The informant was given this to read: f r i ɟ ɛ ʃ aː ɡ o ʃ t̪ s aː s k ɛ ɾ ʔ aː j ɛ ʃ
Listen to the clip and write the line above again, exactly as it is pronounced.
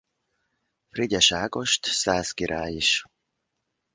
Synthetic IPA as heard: f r i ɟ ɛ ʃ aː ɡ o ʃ t̪ s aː s k i ɾ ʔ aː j i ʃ